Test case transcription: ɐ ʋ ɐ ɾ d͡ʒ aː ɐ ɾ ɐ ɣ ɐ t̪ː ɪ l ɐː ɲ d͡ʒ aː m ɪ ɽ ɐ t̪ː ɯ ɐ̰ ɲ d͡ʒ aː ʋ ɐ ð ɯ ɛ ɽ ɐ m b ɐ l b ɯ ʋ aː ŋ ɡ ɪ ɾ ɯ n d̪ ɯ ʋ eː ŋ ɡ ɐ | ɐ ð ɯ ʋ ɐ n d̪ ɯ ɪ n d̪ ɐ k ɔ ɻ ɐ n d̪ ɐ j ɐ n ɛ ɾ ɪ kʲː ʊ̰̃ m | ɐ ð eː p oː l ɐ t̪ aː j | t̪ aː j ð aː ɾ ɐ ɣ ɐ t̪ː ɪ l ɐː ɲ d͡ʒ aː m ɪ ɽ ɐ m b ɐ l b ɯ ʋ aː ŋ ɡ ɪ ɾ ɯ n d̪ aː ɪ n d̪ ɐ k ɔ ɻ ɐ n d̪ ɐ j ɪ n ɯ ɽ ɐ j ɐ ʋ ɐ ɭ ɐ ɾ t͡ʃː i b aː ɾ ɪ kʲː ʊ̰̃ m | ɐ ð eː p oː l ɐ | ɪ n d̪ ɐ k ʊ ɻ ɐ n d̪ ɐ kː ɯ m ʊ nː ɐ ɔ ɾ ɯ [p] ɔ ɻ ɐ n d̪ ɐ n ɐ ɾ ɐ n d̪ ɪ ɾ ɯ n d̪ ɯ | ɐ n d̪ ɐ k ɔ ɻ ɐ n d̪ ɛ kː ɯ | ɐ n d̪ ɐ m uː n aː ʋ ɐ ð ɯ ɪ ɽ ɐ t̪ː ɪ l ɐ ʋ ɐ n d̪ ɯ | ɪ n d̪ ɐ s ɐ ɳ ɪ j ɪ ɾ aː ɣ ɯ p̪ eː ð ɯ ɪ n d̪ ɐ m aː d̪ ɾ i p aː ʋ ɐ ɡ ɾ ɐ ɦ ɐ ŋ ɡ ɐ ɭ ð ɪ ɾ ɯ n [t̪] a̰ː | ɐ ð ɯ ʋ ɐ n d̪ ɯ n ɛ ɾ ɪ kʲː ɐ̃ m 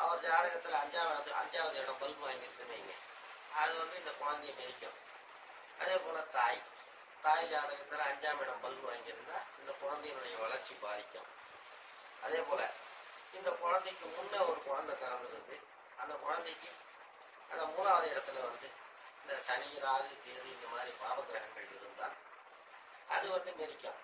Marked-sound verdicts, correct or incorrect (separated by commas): incorrect, incorrect